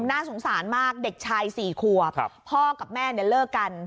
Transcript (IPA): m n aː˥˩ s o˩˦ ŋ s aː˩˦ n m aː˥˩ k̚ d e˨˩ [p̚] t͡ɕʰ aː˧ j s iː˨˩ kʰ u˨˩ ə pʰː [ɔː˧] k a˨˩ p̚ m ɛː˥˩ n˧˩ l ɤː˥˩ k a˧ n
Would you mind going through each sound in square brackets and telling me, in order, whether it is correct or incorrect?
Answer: incorrect: k̚, incorrect: ɔː˥˩

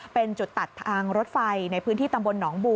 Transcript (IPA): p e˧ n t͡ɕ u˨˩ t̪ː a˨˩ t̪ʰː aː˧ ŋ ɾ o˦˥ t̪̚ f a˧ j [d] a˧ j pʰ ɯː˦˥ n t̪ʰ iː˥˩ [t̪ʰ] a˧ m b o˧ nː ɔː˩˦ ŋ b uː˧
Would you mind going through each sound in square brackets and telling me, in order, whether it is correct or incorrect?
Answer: incorrect: n, incorrect: t̪

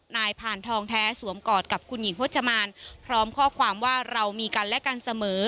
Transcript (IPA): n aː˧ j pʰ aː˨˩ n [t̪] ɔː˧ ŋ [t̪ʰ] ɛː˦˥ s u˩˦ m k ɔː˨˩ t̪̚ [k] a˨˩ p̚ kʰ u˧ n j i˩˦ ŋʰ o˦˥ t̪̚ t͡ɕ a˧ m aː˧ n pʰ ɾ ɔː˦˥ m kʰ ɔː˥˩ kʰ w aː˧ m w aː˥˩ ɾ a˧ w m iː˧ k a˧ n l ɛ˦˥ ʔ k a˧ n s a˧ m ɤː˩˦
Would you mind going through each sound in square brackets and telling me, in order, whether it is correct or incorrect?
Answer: incorrect: t̪ʰ, correct, correct

